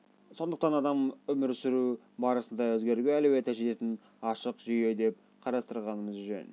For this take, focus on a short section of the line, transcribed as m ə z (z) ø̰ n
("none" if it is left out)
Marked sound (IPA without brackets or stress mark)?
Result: ʒ